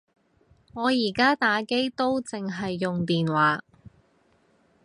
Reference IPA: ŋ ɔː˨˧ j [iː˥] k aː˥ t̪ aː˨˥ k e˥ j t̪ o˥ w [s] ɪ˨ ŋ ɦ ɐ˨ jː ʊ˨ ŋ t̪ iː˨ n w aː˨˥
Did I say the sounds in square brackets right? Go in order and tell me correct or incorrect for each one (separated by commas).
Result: incorrect, incorrect